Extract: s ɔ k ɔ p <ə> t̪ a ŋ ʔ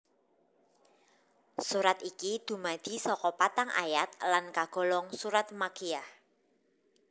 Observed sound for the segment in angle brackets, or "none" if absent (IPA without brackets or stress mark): a